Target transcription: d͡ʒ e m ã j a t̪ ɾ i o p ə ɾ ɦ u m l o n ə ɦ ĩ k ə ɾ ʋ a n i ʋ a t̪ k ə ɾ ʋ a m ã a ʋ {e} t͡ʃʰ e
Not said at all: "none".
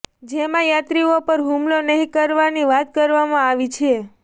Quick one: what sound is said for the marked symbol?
i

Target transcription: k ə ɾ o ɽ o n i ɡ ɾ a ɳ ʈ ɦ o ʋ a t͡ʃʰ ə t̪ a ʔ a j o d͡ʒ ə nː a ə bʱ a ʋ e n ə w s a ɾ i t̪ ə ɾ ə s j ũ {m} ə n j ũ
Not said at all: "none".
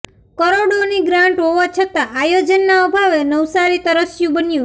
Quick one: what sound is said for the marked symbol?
b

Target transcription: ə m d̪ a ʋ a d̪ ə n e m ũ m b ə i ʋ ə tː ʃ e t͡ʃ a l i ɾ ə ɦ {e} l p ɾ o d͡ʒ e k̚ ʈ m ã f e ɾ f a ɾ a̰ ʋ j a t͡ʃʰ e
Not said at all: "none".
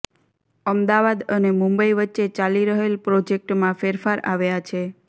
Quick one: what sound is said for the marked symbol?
e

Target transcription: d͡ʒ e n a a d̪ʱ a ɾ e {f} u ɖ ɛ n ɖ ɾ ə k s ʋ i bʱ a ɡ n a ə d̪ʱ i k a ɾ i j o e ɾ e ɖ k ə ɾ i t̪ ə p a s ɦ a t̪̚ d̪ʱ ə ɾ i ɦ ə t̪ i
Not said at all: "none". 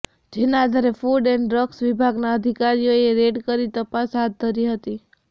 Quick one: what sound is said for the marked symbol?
f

